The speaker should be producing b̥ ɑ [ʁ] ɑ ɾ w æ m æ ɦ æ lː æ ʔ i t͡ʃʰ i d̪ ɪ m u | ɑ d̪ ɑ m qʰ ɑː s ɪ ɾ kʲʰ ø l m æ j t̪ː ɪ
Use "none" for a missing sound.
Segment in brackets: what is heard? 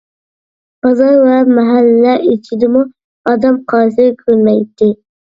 z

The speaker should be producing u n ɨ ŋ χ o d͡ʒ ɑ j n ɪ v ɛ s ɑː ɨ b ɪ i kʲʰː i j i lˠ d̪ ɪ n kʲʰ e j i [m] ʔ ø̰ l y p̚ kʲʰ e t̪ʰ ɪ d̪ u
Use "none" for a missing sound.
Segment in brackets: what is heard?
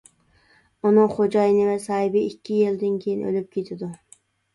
n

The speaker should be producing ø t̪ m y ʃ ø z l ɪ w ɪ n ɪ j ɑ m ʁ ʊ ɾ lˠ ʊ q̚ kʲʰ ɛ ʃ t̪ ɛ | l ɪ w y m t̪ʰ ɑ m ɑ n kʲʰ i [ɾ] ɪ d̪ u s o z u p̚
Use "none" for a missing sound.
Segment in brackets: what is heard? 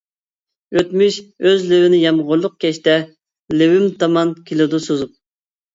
l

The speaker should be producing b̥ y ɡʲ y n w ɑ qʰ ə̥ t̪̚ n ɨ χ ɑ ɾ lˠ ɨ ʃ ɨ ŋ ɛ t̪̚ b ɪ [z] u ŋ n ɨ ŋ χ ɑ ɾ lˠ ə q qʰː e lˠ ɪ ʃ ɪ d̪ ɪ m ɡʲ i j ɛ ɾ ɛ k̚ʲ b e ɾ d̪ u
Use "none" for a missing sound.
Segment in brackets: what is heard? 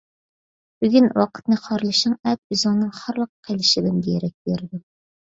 z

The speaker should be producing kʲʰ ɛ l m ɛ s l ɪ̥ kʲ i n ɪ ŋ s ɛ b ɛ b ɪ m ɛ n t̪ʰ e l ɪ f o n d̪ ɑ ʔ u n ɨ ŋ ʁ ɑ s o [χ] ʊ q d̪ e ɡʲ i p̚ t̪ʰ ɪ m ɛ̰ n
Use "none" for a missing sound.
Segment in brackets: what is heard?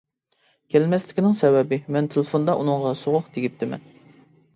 ʁ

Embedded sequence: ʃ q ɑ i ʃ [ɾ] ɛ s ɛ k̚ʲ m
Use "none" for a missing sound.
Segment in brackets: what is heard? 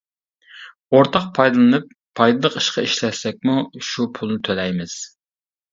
l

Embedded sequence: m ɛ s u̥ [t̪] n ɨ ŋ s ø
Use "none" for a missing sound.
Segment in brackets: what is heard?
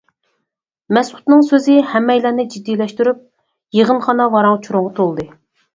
t̪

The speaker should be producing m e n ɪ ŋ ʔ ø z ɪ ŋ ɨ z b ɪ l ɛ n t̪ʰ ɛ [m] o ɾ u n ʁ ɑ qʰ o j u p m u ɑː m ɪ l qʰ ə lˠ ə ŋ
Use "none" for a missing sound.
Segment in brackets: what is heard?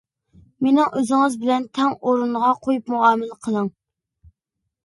ŋ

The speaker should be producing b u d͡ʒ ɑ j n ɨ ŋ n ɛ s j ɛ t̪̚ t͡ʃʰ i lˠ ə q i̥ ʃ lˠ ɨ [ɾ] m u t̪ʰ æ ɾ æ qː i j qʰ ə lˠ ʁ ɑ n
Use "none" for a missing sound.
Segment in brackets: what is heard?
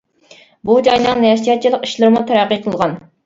ɾ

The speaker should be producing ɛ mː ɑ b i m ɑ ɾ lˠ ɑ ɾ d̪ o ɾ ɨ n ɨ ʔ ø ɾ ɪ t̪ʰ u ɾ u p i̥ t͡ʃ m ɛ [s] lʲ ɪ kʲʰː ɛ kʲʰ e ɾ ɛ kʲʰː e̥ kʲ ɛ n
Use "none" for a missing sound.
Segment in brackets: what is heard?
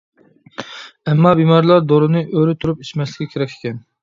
s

